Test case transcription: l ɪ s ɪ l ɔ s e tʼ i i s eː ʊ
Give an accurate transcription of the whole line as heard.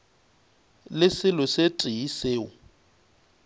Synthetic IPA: l ɪ s ɪ l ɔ s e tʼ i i s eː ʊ